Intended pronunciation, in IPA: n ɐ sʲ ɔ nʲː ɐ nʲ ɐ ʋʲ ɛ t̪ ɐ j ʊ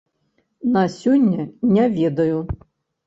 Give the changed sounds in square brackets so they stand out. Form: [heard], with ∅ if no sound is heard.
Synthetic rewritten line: n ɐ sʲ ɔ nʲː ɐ nʲ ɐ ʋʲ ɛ [d̪] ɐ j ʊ